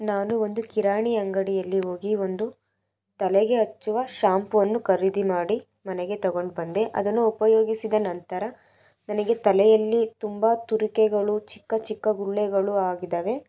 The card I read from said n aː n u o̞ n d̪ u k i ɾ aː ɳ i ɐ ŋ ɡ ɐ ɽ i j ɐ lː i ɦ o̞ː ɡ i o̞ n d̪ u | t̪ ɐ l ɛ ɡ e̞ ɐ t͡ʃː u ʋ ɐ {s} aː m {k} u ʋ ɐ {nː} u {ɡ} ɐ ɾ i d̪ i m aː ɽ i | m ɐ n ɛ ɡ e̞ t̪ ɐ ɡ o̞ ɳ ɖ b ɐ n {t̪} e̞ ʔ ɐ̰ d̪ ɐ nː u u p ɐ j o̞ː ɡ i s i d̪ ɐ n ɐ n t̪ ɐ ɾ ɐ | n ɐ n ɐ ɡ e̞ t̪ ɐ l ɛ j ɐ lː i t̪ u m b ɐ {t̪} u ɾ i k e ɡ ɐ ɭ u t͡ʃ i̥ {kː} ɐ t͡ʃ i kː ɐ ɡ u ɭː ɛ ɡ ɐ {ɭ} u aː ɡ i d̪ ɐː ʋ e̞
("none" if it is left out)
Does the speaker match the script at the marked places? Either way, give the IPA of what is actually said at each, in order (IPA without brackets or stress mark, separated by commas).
ʃ, p, nː, k, d̪, t̪, kː, ɭ